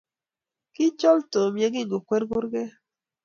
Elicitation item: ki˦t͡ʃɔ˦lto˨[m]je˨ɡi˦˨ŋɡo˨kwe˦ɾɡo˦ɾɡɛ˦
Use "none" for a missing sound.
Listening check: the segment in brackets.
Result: m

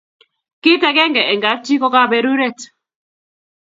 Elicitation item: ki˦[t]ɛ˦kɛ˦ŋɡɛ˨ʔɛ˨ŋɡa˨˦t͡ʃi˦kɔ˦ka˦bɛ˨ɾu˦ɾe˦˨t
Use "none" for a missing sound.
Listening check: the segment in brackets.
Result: t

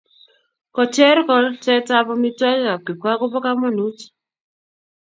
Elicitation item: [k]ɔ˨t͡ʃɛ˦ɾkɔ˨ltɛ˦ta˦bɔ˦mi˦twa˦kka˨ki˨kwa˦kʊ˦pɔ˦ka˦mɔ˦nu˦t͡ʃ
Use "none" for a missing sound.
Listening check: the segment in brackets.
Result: k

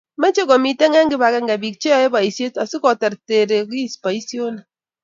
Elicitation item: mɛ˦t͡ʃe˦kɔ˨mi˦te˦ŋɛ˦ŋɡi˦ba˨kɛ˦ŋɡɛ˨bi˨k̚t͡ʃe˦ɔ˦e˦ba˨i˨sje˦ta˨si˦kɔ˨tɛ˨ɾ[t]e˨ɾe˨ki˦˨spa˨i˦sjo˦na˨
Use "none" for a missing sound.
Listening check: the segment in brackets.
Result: t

